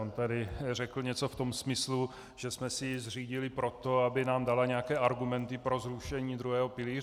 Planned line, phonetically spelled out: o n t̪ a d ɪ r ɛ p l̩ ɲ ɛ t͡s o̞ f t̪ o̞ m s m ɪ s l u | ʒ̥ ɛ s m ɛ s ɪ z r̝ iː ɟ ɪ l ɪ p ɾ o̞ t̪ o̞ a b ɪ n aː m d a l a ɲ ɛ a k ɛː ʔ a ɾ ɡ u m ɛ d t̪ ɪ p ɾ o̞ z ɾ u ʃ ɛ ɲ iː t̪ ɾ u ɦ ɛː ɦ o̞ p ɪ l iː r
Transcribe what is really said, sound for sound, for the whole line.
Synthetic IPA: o n t̪ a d ɪ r ɛ k l̩ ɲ ɛ t͡s o̞ f t̪ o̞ m s m ɪ s l u | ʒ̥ ɛ s m ɛ s ɪ z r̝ iː ɟ ɪ l ɪ p ɾ o̞ t̪ o̞ a b ɪ n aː m d a l a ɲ ɛ a k ɛː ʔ a ɾ ɡ u m ɛ n t̪ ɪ p ɾ o̞ z ɾ u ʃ ɛ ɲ iː d̪ ɾ u ɦ ɛː ɦ o̞ p ɪ l iː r